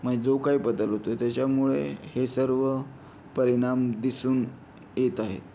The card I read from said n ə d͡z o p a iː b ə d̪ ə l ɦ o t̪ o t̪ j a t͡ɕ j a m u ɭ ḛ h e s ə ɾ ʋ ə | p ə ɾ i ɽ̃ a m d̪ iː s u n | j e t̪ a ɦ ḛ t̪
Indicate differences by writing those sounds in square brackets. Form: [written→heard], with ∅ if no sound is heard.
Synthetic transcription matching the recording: [n→m] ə d͡z o [p→k] a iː b ə d̪ ə l ɦ o t̪ o t̪ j a t͡ɕ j a m u ɭ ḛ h e s ə ɾ ʋ ə | p ə ɾ i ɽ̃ a m d̪ [iː→i] s [u→uː] n | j e t̪ a ɦ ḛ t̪